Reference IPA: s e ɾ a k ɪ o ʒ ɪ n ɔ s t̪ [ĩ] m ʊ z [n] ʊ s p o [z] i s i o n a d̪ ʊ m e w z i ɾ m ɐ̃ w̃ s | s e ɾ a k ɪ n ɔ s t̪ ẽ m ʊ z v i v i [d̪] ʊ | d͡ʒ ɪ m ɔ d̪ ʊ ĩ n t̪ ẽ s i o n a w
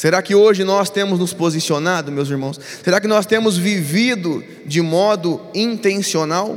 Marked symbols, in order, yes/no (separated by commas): no, yes, yes, yes